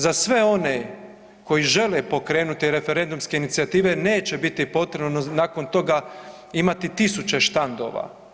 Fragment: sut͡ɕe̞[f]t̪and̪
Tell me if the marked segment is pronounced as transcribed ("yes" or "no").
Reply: no